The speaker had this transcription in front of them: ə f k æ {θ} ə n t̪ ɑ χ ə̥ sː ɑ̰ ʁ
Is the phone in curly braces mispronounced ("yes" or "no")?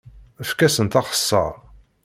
yes